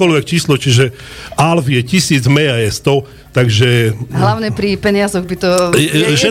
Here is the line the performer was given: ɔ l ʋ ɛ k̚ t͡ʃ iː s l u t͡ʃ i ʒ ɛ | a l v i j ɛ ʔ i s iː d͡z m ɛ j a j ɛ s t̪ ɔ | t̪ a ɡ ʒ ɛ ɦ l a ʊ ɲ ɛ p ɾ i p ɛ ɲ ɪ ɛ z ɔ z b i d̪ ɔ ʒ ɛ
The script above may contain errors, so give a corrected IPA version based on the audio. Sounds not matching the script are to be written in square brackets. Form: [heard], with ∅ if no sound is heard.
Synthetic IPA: ɔ l ʋ ɛ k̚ t͡ʃ iː s l [ɔ] t͡ʃ i ʒ ɛ | a l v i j ɛ [c] i s iː d͡z m ɛ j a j ɛ s t̪ ɔ | t̪ a ɡ ʒ ɛ ɦ l a ʊ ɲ ɛ p ɾ i p ɛ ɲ ɪ [a] z ɔ [ɣ] b i [t̪] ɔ ʒ ɛ